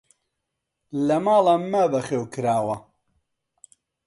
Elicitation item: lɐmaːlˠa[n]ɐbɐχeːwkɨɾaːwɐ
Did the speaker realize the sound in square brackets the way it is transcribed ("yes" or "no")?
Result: no